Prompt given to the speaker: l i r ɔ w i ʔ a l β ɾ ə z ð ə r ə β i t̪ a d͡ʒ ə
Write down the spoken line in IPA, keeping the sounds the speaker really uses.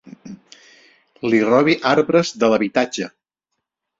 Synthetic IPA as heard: l i r ɔ β i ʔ a ɾ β ɾ ə z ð ə l ə β i t̪ a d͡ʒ ə